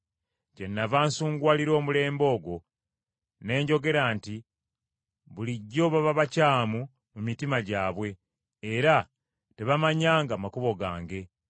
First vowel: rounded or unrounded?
unrounded